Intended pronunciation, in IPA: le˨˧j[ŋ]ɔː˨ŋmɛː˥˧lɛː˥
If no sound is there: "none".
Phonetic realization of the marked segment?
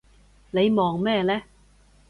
m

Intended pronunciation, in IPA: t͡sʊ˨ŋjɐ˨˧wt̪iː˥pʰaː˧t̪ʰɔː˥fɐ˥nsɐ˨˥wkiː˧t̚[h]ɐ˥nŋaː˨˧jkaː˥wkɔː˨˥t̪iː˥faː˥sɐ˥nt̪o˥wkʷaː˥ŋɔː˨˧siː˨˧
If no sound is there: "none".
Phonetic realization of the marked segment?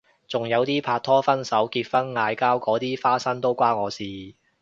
f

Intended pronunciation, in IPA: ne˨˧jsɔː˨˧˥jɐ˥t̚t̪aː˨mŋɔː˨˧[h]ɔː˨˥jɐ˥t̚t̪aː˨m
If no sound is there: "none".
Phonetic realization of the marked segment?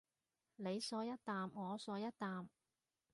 s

